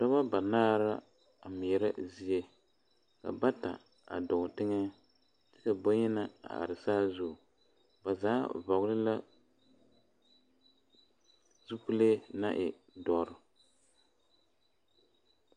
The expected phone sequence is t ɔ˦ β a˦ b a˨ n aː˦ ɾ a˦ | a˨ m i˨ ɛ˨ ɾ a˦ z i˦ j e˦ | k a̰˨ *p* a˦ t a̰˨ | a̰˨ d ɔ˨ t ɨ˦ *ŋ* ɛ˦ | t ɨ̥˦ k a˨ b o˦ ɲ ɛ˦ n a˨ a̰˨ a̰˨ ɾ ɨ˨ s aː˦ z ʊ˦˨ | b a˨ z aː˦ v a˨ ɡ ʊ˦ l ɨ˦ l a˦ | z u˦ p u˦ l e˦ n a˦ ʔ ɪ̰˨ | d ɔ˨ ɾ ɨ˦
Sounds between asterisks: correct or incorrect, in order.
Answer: incorrect, correct

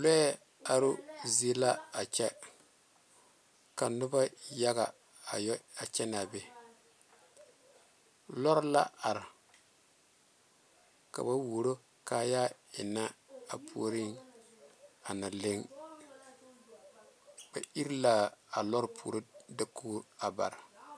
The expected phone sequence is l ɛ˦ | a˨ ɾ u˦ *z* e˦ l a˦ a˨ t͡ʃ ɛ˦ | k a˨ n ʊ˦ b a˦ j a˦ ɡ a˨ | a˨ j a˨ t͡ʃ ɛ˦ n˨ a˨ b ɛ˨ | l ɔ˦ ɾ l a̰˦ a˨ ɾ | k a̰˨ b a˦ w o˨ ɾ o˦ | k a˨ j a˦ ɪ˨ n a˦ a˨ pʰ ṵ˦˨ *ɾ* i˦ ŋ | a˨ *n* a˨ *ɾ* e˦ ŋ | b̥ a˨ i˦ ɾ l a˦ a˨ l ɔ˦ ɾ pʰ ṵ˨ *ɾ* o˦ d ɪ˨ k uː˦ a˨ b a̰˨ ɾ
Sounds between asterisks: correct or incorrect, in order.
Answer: correct, correct, correct, incorrect, correct

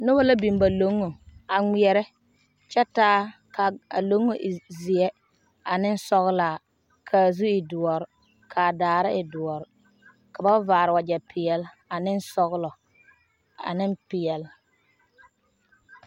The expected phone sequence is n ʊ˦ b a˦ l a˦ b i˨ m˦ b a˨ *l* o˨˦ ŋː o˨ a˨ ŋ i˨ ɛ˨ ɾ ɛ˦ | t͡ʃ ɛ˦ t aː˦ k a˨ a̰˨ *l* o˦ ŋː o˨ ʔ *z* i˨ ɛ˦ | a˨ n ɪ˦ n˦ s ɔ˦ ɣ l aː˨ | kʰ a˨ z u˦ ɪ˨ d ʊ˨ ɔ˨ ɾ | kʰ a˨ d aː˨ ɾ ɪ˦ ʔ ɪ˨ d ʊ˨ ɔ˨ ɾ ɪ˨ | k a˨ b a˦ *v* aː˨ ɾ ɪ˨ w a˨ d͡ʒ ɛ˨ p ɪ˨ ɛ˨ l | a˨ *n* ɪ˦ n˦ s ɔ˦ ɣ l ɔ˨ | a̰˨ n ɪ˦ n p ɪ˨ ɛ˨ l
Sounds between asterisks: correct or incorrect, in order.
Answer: correct, correct, correct, correct, correct

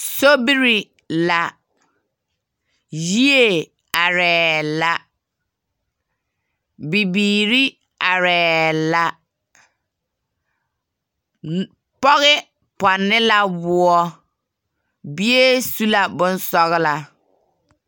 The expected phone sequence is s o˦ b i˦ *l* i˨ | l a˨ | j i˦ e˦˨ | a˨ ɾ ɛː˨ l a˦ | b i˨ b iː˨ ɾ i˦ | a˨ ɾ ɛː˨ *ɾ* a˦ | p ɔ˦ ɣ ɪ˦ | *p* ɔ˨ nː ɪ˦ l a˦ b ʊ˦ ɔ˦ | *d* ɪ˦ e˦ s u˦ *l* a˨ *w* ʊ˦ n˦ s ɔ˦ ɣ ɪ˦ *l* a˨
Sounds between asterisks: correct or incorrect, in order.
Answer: incorrect, incorrect, correct, incorrect, correct, incorrect, correct

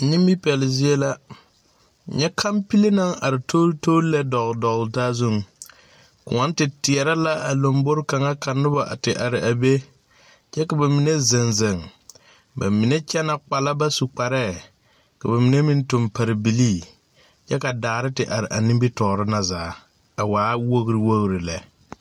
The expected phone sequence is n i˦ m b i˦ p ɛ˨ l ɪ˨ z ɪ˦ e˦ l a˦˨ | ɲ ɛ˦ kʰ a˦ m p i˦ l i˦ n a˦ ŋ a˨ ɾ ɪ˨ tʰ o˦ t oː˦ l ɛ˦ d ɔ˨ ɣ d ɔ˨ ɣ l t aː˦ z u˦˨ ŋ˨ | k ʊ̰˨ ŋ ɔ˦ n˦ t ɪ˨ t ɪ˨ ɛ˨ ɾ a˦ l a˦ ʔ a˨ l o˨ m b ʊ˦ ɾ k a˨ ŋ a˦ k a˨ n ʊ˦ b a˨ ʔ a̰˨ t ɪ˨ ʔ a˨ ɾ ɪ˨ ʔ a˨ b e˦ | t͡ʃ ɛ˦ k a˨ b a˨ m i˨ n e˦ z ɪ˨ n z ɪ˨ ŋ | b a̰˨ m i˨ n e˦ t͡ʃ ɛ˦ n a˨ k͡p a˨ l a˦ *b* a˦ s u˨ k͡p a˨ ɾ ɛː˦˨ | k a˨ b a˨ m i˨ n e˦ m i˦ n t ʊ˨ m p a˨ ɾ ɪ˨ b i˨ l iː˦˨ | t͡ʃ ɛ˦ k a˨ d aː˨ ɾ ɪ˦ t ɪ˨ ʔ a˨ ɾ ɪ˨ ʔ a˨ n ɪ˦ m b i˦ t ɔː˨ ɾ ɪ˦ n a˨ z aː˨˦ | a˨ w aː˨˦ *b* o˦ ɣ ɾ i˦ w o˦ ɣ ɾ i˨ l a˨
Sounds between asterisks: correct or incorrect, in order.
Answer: correct, incorrect

